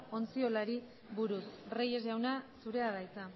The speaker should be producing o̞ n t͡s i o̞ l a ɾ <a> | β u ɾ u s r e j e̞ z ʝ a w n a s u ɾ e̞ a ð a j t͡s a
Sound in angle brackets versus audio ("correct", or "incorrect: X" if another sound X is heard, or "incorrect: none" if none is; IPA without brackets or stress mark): incorrect: i